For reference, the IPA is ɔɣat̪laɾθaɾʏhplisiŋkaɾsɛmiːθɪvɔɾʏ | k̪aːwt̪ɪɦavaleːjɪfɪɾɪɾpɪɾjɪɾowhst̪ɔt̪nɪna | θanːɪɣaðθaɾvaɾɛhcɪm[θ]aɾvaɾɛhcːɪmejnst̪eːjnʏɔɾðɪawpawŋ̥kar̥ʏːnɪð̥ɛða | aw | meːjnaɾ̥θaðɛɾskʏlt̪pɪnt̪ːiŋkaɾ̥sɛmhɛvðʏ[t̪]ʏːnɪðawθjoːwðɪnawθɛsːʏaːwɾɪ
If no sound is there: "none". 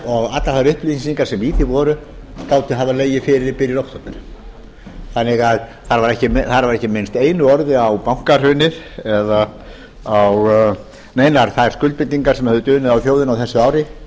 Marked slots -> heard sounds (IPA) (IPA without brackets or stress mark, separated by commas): θ, t̪